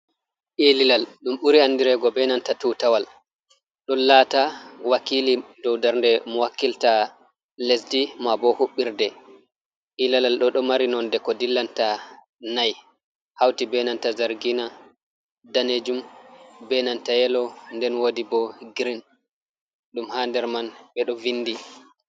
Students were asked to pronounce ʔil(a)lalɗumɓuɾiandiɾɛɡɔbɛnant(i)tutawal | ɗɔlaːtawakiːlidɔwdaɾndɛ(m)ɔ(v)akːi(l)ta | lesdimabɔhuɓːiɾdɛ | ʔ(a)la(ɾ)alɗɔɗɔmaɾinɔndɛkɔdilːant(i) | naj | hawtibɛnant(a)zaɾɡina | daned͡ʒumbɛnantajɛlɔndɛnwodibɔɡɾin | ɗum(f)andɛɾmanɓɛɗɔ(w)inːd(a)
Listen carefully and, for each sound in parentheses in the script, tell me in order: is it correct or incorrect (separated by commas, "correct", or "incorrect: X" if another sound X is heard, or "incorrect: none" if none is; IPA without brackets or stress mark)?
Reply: incorrect: i, incorrect: a, correct, incorrect: w, correct, incorrect: i, incorrect: l, incorrect: a, correct, incorrect: h, incorrect: v, incorrect: i